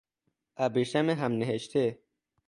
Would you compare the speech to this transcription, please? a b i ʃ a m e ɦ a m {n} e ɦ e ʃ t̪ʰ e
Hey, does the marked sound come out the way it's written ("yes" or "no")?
yes